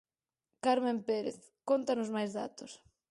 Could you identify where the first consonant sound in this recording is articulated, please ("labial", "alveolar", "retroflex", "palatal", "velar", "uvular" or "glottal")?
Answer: velar